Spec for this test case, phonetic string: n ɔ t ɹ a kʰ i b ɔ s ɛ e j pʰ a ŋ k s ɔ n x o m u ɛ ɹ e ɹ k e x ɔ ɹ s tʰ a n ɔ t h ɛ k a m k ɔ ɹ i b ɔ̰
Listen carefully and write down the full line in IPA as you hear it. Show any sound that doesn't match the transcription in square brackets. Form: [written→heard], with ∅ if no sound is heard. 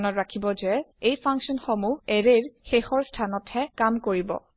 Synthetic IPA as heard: n ɔ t ɹ a kʰ i b ɔ [s→z] ɛ e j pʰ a ŋ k s ɔ n x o m u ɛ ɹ e ɹ [k→x] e x ɔ ɹ s tʰ a n ɔ t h ɛ k a m k [ɔ→o] ɹ i b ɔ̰